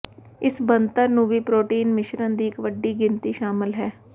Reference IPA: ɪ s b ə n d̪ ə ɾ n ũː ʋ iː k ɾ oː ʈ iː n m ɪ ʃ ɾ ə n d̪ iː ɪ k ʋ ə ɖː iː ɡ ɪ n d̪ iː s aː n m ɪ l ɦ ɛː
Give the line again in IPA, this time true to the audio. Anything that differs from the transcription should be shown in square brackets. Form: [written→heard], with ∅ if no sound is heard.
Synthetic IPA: ɪ s b ə n [d̪→t̪] ə ɾ n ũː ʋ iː [k→p] ɾ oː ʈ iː n m ɪ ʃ ɾ ə n d̪ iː ɪ k ʋ ə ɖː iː ɡ ɪ n [d̪→t̪] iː [s→ʃ] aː [n→∅] m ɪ l ɦ ɛː

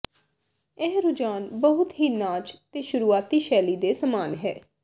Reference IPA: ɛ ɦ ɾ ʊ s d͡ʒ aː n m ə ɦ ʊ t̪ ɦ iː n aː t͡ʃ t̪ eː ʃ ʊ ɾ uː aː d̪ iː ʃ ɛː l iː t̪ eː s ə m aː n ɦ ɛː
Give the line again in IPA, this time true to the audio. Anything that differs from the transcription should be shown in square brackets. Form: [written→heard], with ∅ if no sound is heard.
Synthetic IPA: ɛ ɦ ɾ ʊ [s→∅] d͡ʒ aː n [m→b] ə ɦ ʊ t̪ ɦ iː n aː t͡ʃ t̪ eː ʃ ʊ ɾ uː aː [d̪→t̪] iː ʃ ɛː l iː [t̪→d̪] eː s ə m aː n ɦ ɛː

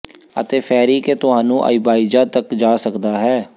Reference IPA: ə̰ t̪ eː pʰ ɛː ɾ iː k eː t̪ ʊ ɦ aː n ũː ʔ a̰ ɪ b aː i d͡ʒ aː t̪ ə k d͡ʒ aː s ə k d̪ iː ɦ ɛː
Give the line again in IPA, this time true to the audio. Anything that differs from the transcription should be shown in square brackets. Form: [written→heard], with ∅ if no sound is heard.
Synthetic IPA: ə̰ t̪ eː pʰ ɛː ɾ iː k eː t̪ ʊ ɦ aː n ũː ʔ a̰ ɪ b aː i d͡ʒ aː t̪ ə k d͡ʒ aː s ə k d̪ [iː→aː] ɦ ɛː

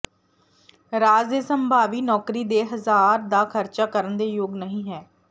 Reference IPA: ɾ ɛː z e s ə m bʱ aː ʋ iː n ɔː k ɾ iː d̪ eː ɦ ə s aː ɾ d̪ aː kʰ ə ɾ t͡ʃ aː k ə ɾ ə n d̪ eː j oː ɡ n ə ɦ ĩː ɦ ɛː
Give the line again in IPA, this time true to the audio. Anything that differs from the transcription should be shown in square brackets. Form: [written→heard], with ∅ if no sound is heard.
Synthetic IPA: ɾ [ɛː→aː] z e s ə m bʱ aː ʋ iː n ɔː k ɾ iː d̪ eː ɦ ə [s→z] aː ɾ d̪ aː kʰ ə ɾ t͡ʃ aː k ə ɾ ə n d̪ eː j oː ɡ n ə ɦ ĩː ɦ ɛː

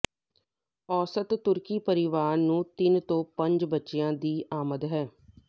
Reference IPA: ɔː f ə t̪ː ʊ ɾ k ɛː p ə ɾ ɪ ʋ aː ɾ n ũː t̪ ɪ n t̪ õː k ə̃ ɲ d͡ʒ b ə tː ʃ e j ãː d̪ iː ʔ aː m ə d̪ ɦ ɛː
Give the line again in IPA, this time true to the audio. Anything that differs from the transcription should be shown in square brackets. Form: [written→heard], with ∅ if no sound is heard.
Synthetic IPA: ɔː [f→s] ə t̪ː ʊ ɾ k [ɛː→iː] p ə ɾ ɪ ʋ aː ɾ n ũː t̪ ɪ n t̪ õː [k→p] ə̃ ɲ d͡ʒ b ə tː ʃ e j ãː d̪ iː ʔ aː m ə d̪ ɦ ɛː

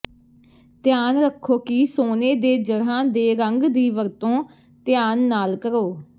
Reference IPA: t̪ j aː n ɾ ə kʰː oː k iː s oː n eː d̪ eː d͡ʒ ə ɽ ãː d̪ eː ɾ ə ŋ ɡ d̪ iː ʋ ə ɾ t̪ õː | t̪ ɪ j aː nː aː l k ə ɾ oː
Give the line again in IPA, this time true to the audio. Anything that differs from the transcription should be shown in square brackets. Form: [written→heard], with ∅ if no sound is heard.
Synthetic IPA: t̪ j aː n ɾ ə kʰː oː k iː s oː n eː d̪ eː d͡ʒ ə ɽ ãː d̪ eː ɾ ə ŋ ɡ d̪ iː ʋ ə ɾ t̪ õː | t̪ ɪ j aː nː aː l k ə ɾ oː

